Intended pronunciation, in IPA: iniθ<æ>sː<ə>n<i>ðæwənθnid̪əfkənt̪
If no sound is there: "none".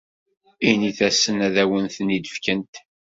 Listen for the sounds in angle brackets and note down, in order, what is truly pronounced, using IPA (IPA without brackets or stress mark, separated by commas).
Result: æ, ə, æ